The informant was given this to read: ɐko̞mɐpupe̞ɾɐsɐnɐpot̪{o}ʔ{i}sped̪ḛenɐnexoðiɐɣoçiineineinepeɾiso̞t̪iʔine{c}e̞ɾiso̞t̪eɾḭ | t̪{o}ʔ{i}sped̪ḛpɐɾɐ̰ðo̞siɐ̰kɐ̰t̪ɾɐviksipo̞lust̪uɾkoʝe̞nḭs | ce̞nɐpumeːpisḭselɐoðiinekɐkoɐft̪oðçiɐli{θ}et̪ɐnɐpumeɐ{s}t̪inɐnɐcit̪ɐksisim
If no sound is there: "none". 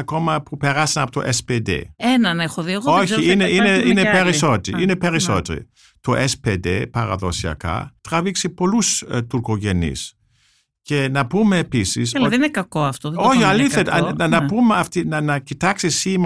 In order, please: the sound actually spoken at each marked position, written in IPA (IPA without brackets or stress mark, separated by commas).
o, e, p, o, e, θ, f